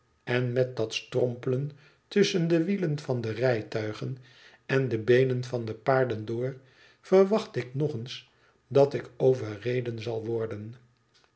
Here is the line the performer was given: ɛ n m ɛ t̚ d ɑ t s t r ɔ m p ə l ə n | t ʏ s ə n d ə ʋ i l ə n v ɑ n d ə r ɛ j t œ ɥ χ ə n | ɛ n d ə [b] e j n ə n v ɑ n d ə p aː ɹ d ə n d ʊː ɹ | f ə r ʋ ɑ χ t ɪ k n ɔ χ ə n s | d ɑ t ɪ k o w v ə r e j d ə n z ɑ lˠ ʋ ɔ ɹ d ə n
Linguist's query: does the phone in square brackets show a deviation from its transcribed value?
no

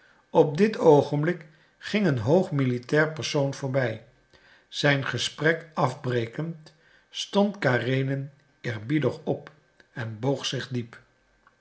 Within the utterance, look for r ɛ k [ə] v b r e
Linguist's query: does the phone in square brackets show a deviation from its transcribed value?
yes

